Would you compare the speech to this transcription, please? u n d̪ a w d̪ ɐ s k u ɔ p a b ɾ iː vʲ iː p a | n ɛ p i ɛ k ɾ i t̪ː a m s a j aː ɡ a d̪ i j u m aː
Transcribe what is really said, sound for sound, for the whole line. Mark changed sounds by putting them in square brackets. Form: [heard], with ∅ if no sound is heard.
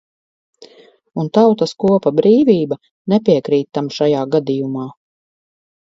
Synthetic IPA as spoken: u n [t̪] a w [t̪] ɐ s k u ɔ p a b ɾ iː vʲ iː [b] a | n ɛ p i ɛ k ɾ [iː] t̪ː a m [ʃ] a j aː ɡ a d̪ i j u m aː